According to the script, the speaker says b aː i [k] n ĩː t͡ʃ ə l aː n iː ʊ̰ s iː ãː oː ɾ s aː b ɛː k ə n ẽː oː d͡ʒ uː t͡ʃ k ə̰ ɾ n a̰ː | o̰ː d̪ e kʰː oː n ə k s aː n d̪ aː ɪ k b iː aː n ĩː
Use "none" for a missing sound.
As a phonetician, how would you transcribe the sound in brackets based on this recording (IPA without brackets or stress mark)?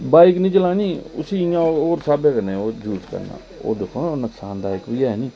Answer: k